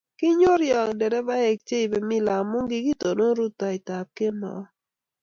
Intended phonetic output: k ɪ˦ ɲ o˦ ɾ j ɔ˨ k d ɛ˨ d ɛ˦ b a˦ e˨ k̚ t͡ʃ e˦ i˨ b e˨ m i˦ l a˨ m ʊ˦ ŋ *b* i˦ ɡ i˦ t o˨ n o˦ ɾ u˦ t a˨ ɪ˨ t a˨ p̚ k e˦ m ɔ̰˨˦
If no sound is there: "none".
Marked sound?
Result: ɡ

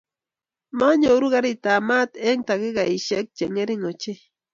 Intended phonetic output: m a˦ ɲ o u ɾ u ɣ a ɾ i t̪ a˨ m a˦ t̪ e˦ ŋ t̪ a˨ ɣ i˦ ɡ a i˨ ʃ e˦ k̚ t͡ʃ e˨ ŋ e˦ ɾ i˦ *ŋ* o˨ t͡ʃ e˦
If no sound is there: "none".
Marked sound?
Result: ŋ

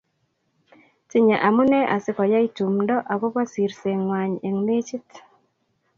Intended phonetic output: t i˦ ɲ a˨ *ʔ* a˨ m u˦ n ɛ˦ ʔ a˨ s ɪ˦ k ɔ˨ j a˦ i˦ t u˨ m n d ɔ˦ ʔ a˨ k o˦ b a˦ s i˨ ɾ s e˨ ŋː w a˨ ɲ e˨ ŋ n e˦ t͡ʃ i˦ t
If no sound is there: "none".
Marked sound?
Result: ʔ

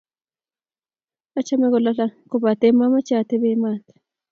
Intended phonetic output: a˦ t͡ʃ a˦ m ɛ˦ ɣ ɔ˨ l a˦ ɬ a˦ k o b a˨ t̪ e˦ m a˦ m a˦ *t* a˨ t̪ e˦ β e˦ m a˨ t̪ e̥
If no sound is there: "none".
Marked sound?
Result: t͡ʃ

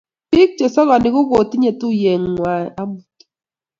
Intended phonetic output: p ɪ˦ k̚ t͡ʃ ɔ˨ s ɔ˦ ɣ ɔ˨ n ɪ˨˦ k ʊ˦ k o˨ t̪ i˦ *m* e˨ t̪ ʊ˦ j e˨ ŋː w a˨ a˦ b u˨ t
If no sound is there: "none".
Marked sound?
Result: ɲ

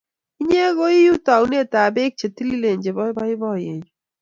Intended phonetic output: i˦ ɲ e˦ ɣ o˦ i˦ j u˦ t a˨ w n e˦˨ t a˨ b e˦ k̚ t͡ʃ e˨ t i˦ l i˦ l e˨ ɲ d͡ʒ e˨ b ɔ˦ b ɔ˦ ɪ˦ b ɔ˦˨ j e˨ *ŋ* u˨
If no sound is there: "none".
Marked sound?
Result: ɲ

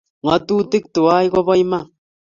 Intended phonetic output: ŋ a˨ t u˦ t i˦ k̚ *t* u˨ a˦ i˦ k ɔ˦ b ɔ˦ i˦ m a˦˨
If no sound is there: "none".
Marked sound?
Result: t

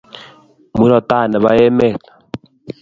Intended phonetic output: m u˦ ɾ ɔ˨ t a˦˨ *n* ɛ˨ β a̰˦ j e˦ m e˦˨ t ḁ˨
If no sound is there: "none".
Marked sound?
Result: n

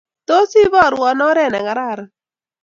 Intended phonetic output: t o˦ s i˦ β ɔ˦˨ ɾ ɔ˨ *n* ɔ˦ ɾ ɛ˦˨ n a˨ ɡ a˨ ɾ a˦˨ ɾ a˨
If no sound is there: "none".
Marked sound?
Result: n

